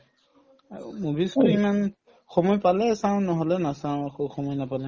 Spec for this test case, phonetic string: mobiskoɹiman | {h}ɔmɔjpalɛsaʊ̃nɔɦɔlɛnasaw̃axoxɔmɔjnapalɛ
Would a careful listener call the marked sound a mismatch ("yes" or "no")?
yes